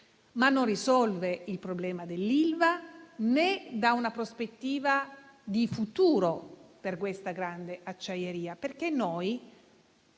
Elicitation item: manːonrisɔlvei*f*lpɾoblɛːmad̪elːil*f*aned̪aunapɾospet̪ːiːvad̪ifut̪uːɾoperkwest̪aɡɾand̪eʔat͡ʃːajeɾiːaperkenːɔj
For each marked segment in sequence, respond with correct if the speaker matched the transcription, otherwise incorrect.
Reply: incorrect: none, incorrect: v

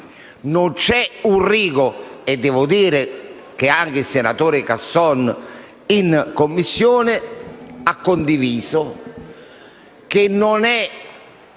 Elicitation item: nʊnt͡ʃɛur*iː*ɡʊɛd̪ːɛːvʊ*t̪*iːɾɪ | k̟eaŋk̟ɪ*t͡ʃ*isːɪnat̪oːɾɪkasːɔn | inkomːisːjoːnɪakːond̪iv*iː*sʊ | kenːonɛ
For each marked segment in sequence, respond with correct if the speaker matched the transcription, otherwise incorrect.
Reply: correct, incorrect: d̪, incorrect: none, correct

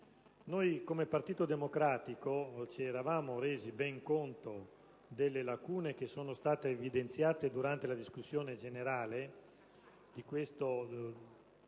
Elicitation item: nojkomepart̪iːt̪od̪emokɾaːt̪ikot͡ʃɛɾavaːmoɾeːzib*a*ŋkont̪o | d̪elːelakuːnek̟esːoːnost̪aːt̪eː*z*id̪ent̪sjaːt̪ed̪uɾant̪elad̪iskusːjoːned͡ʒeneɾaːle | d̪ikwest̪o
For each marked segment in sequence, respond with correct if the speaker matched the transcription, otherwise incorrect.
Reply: incorrect: ɛ, incorrect: v

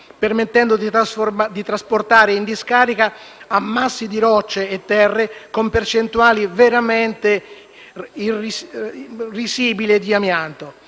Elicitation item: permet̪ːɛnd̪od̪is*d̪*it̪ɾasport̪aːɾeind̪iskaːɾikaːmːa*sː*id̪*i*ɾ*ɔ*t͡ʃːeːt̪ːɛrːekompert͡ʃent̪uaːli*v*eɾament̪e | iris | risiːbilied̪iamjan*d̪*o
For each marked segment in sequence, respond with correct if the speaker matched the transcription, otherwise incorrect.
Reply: correct, correct, correct, correct, correct, incorrect: t̪

